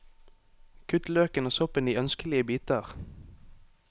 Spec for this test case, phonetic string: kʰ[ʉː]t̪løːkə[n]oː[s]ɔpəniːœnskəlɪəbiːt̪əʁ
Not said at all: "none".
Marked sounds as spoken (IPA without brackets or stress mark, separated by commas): ʉ, n, s